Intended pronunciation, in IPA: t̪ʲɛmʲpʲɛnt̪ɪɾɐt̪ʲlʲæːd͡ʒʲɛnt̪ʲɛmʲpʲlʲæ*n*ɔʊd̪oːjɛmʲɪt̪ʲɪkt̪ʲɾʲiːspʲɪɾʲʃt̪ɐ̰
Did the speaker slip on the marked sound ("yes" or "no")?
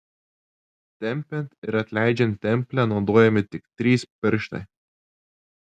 no